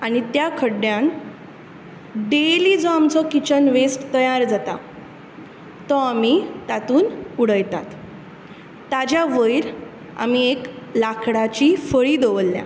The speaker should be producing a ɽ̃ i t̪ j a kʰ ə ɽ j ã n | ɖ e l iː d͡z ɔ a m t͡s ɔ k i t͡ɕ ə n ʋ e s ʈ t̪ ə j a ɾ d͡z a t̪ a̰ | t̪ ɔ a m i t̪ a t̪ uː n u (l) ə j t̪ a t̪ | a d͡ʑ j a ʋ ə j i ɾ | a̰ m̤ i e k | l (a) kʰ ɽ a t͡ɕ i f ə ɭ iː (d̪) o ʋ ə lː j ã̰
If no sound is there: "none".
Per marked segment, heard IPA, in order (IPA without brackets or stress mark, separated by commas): ɽ, a, d̪